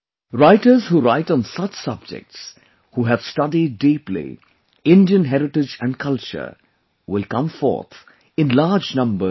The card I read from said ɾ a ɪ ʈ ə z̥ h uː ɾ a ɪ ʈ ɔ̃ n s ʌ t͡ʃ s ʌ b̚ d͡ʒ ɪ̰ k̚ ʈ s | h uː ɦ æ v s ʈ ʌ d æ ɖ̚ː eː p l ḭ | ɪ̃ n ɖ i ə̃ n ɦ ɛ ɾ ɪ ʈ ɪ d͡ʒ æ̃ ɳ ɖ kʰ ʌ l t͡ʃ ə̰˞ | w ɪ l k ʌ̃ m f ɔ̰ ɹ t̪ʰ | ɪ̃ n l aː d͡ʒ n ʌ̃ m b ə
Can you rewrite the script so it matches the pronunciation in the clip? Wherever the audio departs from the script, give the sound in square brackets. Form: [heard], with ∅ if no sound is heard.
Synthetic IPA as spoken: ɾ a ɪ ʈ ə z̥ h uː ɾ a ɪ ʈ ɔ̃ n s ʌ t͡ʃ s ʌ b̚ d͡ʒ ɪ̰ k̚ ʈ s | h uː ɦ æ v s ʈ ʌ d [i] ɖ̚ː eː p l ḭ | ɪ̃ n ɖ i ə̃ n ɦ ɛ ɾ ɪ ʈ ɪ d͡ʒ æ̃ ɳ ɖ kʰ ʌ l t͡ʃ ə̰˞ | w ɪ l k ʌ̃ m f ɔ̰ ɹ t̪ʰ | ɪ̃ n l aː d͡ʒ n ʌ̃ m b ə